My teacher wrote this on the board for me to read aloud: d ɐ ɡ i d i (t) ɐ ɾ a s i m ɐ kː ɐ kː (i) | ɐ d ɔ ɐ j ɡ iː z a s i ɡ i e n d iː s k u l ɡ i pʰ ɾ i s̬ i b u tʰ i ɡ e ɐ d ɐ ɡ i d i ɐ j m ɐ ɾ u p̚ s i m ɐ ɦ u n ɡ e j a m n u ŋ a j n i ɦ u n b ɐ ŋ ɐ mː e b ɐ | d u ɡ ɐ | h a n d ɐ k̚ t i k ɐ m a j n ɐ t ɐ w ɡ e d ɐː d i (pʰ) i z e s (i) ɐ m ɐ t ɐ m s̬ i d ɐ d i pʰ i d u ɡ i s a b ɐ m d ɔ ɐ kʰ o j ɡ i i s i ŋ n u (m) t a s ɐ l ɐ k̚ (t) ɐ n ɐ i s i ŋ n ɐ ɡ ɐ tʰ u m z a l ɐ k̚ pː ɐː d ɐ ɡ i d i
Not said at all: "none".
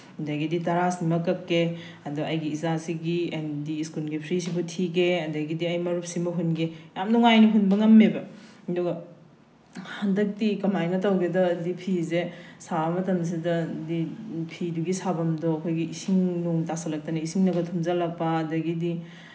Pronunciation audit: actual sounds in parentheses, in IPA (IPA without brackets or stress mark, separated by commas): t, e, pʰ, a, ŋ, t